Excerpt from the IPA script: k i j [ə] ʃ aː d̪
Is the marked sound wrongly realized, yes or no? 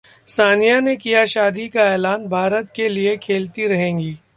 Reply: yes